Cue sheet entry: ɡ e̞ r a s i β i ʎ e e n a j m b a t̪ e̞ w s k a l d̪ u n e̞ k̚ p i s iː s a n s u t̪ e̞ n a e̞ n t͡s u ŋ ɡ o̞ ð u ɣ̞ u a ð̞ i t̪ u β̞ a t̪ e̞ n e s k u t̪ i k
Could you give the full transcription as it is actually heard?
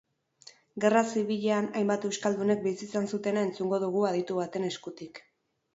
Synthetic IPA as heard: ɡ e̞ r a s i β i ʎ e a n a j m b a t̪ e̞ w s k a l d̪ u n e̞ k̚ b i s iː s a n s u t̪ e̞ n a e̞ n t͡s u ŋ ɡ o̞ ð u ɣ̞ u a ð̞ i t̪ u β̞ a t̪ e̞ n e s k u t̪ i k